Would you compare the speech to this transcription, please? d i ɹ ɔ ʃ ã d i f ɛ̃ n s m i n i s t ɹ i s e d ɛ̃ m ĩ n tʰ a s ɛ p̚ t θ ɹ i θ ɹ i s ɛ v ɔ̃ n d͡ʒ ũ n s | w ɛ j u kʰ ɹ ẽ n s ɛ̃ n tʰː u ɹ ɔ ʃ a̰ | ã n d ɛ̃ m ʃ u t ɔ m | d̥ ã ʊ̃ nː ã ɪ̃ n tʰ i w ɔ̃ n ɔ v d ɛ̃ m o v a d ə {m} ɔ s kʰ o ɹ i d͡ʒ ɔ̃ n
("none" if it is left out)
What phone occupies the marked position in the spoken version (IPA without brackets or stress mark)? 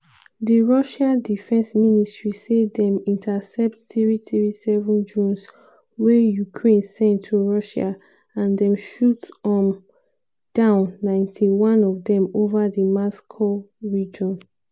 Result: m